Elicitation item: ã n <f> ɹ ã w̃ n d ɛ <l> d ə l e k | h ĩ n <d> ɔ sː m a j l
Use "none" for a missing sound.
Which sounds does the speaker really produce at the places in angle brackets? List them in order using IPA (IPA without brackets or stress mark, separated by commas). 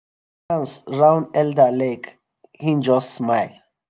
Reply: s, l, d͡ʒ